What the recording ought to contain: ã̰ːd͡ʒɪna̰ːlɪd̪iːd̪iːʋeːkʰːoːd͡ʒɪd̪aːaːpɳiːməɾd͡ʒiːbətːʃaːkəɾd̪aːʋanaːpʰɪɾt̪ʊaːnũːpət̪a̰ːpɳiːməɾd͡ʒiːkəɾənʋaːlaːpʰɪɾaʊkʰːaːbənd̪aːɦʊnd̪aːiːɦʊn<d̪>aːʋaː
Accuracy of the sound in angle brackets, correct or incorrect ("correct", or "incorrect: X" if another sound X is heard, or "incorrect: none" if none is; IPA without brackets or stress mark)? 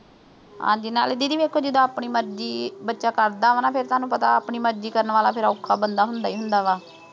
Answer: correct